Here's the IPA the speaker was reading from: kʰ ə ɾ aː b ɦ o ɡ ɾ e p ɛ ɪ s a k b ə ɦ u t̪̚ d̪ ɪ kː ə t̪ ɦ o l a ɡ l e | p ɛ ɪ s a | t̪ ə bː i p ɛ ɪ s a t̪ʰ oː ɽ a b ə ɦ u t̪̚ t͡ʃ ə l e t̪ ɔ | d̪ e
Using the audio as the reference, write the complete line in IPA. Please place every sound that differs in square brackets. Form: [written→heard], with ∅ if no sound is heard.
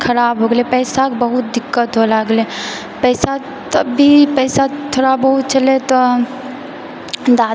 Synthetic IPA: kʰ ə ɾ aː b ɦ o ɡ [ɾ→l] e p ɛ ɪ s a k b ə ɦ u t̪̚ d̪ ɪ kː ə t̪ ɦ o l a ɡ l e | p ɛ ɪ s a | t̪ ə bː i p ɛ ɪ s a t̪ʰ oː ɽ a b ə ɦ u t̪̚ t͡ʃ ə l e t̪ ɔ | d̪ [e→a]

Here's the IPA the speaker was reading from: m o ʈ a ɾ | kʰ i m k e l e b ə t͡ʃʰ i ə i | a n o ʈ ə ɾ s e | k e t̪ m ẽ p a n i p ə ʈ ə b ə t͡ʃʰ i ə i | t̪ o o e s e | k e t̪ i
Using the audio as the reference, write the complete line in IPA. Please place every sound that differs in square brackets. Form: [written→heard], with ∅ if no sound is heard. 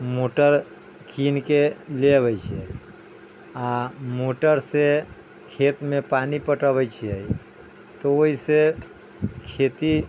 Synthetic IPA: m o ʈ [a→ə] ɾ | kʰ i [m→n] k e l e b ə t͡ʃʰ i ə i | a [n→m] o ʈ ə ɾ s e | [k→kʰ] e t̪ m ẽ p a n i p ə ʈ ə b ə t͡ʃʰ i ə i | t̪ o o [e→i] s e | [k→kʰ] e t̪ i

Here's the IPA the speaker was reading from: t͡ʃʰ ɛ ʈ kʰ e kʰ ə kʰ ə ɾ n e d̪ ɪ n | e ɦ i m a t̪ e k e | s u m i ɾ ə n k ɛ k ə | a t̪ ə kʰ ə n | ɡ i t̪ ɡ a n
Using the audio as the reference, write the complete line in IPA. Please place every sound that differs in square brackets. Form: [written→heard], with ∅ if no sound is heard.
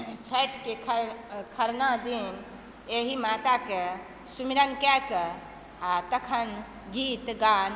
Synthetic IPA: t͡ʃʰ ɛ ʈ [kʰ→k] e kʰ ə kʰ ə ɾ n [e→a] d̪ [ɪ→i] n | e ɦ i m a t̪ [e→a] k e | s u m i ɾ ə n k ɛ k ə | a t̪ ə kʰ ə n | ɡ i t̪ ɡ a n

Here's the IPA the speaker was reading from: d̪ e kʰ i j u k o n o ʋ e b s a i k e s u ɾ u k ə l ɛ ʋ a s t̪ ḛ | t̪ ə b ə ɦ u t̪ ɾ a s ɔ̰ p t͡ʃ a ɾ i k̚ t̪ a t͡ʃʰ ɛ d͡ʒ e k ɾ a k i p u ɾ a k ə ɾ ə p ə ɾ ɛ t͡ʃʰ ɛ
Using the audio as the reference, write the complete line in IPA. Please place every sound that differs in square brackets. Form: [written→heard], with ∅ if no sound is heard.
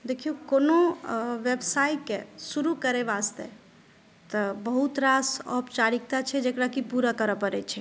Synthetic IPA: d̪ e kʰ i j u k o n o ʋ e b s a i k e s u ɾ u k ə [l→ɾ] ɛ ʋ a s t̪ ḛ | t̪ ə b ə ɦ u t̪ ɾ a s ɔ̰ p t͡ʃ a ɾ i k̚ t̪ a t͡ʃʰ ɛ d͡ʒ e k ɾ a k i p u ɾ a k ə ɾ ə p ə ɾ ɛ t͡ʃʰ ɛ

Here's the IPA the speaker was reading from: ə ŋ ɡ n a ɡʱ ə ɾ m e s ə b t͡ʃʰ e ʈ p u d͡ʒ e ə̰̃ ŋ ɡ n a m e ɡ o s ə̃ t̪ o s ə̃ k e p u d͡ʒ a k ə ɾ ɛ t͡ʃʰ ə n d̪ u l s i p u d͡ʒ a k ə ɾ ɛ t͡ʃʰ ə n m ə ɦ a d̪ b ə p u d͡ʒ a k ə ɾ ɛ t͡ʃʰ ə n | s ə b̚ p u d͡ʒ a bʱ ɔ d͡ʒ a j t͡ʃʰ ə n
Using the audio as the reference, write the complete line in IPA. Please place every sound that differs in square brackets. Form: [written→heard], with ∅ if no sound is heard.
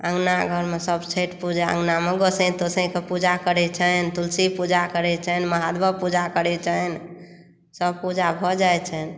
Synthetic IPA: ə ŋ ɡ n a ɡʱ ə ɾ m e s ə b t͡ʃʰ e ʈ p u d͡ʒ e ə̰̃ ŋ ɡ n a m e ɡ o s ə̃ t̪ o s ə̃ k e p u d͡ʒ a k ə ɾ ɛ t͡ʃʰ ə n [d̪→t̪] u l s i p u d͡ʒ a k ə ɾ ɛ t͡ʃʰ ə n m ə ɦ a d̪ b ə p u d͡ʒ a k ə ɾ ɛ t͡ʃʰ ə n | s ə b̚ p u d͡ʒ a bʱ ɔ d͡ʒ a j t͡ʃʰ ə n

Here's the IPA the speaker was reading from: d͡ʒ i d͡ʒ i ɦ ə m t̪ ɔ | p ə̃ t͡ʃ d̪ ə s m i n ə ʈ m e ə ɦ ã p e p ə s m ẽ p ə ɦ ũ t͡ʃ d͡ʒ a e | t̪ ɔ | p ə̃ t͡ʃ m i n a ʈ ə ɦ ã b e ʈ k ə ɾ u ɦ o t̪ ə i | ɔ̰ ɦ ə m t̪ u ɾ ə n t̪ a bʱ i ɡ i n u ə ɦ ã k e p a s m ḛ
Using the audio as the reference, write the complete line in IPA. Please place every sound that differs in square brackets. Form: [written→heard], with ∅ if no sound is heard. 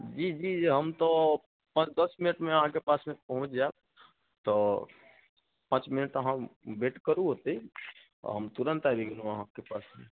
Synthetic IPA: d͡ʒ i d͡ʒ i ɦ ə m t̪ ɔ | p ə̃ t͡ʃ d̪ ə s m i n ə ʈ m e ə ɦ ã [p→k] e p [ə→a] s m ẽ p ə ɦ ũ t͡ʃ d͡ʒ a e | t̪ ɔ | p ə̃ t͡ʃ m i n [a→ə] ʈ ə ɦ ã b e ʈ k ə ɾ u ɦ o t̪ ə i | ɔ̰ ɦ ə m t̪ u ɾ ə n t̪ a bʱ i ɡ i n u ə ɦ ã k e p a s m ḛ

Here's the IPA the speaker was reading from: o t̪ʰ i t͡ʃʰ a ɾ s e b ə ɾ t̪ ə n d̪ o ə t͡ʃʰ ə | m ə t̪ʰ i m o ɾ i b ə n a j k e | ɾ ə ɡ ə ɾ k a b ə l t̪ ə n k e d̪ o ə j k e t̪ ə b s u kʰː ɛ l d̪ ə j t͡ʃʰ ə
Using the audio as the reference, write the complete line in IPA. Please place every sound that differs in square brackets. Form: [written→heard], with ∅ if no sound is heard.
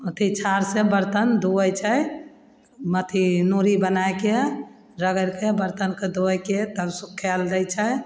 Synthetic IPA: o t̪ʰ i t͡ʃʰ a ɾ s e b ə ɾ t̪ ə n d̪ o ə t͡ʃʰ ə | m ə t̪ʰ i [m→n] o ɾ i b ə n a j k e | ɾ ə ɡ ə ɾ k [a→e] b ə [l→ɾ] t̪ ə n k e d̪ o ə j k e t̪ ə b s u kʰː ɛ l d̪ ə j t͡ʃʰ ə

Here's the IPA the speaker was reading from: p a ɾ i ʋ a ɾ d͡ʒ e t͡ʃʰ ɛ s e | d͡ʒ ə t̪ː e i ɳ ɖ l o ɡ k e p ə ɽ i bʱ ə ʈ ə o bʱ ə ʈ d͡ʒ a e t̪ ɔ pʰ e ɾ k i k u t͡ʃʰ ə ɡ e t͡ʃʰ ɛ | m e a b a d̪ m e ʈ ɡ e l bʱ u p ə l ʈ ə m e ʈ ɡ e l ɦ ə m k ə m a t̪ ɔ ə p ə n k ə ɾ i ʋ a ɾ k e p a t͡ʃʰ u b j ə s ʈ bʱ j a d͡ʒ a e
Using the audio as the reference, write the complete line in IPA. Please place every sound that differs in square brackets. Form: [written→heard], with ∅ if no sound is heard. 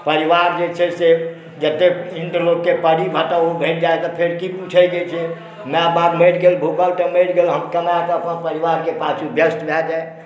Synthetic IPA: p [a→ə] ɾ i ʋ a ɾ d͡ʒ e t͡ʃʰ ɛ s e | d͡ʒ ə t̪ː e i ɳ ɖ l o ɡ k e p ə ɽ i bʱ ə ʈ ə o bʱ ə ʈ d͡ʒ a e t̪ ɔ pʰ e ɾ k i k u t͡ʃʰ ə ɡ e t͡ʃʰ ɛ | m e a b a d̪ m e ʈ ɡ e l bʱ u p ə l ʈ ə m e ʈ ɡ e l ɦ ə m k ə m a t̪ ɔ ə p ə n [k→p] ə ɾ i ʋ a ɾ k e p a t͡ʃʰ u b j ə s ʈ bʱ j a d͡ʒ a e

